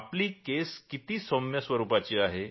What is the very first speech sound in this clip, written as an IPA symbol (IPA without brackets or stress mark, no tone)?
p